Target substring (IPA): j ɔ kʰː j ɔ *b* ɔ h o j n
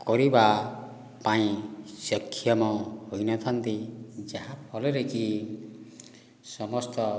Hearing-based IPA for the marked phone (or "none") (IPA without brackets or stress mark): m